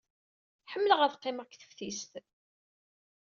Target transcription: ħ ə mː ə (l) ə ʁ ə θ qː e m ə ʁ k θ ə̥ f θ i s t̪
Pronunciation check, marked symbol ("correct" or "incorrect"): correct